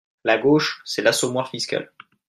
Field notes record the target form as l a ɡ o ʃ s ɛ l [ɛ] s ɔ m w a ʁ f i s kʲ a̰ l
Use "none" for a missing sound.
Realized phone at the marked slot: a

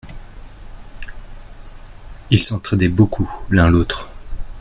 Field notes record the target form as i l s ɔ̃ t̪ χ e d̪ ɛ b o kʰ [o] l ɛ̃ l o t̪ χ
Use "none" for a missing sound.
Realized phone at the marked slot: u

